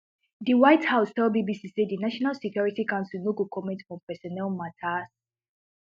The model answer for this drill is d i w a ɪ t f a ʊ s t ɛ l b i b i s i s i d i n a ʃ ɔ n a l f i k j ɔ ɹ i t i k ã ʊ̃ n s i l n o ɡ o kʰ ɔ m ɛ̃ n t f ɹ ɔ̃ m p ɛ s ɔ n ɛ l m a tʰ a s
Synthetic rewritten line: d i w a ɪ t h a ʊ s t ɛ l b i b i s i s e d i n a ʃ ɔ n a l s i k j ɔ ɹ i t i k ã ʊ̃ n s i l n o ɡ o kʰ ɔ m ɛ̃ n t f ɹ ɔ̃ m p ɛ s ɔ n ɛ l m a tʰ a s